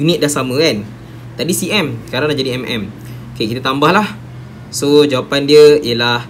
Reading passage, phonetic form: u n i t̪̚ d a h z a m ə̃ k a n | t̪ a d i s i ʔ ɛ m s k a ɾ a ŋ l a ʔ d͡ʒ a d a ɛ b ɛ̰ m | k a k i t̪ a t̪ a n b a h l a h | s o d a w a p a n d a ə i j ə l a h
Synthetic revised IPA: u n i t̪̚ d a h s a m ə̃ k a n | t̪ a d i s i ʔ ɛ m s k a ɾ a ŋ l a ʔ d͡ʒ a d i ɛ m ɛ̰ m | k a k i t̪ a t̪ a m b a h l a h | s o d͡ʒ a w a p a n d i ə i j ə l a h